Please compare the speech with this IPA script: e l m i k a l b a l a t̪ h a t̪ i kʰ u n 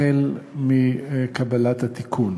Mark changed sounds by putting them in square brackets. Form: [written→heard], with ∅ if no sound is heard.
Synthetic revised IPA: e l m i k a [l→∅] b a l a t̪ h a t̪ i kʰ u n